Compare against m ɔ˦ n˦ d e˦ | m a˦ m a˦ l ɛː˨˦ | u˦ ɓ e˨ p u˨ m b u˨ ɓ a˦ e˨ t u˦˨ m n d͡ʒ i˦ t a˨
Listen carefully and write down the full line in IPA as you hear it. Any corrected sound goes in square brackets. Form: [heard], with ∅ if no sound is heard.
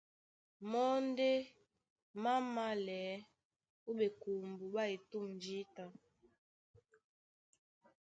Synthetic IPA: m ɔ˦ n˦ d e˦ | m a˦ m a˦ l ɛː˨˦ | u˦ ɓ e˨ [k] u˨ m b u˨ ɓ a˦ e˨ t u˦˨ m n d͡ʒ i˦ t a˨